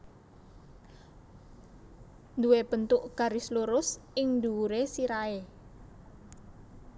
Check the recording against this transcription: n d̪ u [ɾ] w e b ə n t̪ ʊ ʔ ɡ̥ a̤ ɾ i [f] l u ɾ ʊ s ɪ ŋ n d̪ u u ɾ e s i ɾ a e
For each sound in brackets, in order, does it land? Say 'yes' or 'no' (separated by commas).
no, no